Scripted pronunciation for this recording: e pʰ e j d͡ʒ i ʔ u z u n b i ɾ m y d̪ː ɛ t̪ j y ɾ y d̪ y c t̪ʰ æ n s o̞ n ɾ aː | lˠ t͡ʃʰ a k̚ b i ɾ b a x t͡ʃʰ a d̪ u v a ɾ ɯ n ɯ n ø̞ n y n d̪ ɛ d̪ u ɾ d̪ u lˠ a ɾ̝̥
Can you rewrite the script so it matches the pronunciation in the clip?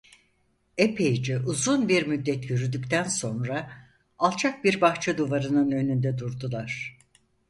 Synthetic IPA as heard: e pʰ e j d͡ʒ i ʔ u z u n b i ɾ m y d̪ː ɛ t̪ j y ɾ y d̪ y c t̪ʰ æ n s o̞ n ɾ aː | lˠ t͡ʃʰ a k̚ b i ɾ b a x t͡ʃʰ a d̪ u v a ɾ ɯ n ɯ n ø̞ n y n d̪ ɛ d̪ u ɾ d̪ u lˠ a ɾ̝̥